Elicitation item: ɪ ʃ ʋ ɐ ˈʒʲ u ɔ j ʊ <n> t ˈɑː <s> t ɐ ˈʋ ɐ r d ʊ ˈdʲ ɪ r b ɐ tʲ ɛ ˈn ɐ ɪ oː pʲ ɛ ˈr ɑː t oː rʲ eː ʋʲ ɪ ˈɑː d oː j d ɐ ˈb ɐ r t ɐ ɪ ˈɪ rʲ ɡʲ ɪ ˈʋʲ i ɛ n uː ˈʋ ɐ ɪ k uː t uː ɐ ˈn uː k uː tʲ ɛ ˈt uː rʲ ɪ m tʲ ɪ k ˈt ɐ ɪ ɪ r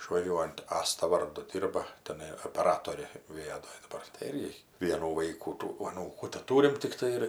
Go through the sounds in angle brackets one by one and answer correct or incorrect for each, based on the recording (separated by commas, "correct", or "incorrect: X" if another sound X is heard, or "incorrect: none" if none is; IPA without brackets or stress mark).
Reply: correct, correct